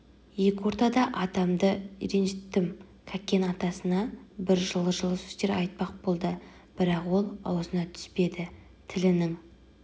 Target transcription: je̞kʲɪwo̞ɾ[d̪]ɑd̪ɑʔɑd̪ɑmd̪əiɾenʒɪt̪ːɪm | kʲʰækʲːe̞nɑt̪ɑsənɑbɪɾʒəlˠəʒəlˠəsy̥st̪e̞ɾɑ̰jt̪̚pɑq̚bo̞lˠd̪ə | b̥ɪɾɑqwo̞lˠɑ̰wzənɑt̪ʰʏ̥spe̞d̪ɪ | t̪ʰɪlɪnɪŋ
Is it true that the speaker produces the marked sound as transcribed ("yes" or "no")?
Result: no